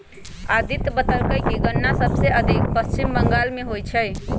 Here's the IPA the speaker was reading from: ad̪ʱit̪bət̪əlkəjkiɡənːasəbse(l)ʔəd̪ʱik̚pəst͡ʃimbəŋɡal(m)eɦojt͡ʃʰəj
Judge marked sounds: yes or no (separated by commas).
no, yes